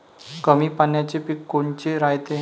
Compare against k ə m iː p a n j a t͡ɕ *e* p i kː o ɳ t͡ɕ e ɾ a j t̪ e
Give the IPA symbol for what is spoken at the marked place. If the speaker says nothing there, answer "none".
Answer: e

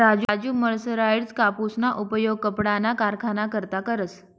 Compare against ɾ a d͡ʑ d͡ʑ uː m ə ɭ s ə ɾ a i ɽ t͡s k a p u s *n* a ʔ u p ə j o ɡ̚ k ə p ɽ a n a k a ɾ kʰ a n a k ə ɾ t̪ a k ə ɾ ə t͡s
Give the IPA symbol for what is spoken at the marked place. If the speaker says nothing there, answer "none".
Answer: n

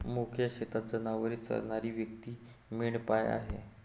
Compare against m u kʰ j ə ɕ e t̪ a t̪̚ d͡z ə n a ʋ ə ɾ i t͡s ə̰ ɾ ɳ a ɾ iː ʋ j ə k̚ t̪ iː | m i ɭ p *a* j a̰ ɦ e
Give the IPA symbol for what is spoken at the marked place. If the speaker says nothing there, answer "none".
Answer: a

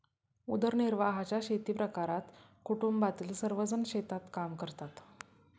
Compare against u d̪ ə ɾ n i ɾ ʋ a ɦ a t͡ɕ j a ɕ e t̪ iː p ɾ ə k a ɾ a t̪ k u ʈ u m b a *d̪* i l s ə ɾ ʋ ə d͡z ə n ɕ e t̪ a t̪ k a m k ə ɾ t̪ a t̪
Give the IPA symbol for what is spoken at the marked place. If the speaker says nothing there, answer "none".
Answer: t̪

